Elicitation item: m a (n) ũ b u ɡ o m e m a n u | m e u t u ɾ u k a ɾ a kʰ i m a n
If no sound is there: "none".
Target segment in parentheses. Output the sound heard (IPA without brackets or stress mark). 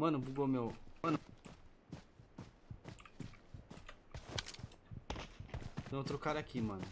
n